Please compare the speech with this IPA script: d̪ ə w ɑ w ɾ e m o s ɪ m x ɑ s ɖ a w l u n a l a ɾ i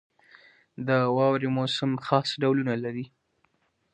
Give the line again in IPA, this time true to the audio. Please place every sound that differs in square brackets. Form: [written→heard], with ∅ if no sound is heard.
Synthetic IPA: d̪ ə w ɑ w ɾ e m o s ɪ m x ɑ s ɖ a w l u n a l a ɾ i